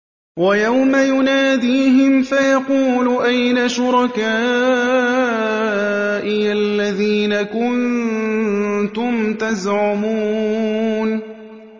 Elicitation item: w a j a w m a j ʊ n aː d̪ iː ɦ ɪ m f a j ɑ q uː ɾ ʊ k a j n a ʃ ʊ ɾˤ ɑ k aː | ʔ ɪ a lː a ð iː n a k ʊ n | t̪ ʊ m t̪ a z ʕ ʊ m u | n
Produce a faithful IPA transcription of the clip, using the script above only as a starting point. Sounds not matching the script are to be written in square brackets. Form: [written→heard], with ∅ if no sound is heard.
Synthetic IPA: w a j a w m a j ʊ n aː d̪ iː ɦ ɪ m f a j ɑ q uː [ɾ→l] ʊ [k→ʔ] a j n a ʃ ʊ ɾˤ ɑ k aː | ʔ ɪ a lː a ð iː n a k ʊ n | t̪ ʊ m t̪ a z ʕ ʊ m u | n